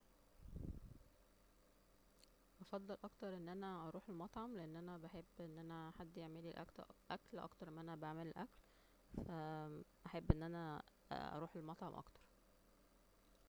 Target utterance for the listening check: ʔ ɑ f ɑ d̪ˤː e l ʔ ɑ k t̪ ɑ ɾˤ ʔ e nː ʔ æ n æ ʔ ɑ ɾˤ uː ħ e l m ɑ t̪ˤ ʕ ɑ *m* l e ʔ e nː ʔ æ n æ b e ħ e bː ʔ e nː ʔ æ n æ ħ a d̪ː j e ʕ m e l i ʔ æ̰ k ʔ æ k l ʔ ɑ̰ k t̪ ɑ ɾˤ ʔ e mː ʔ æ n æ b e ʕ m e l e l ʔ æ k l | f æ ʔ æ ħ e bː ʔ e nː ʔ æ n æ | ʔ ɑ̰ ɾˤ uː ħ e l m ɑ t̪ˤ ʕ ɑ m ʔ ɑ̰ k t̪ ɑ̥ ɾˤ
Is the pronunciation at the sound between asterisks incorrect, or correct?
correct